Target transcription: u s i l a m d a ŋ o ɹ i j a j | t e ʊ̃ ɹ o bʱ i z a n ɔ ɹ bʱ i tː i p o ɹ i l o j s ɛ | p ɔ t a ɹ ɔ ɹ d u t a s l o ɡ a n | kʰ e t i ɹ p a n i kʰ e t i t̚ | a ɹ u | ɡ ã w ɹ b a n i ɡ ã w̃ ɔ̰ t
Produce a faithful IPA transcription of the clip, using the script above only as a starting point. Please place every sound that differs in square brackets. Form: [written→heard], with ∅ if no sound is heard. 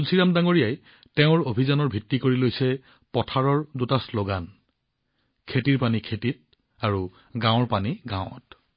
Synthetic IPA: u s i [l→ɹ] a m d a ŋ o ɹ i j a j | t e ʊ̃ ɹ o bʱ i z a n ɔ ɹ bʱ i tː i [p→k] o ɹ i l o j s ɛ | p ɔ [t→tʰ] a ɹ ɔ ɹ d u t a s l o ɡ a n | kʰ e t i ɹ p a n i kʰ e t i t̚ | a ɹ u | ɡ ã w ɹ [b→p] a n i ɡ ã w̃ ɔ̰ t